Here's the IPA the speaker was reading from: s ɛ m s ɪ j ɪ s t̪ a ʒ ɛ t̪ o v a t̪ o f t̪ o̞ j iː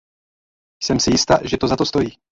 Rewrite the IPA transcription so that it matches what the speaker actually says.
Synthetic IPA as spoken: s ɛ m s ɪ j ɪ s t̪ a ʒ ɛ t̪ o z a t̪ o s t̪ o̞ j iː